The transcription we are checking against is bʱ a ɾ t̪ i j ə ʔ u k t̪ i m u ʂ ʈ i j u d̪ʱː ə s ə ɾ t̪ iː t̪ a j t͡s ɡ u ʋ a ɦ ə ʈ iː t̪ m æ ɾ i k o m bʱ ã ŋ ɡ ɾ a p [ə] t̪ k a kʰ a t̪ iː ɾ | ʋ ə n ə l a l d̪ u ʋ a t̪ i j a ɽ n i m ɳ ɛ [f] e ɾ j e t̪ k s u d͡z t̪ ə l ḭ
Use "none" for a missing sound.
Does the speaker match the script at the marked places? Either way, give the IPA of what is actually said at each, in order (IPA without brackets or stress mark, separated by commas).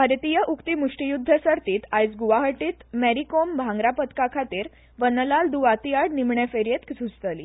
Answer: ə, f